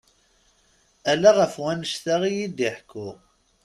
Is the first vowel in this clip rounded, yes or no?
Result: no